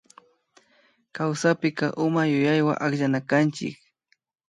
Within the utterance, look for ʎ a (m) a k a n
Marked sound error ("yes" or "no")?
yes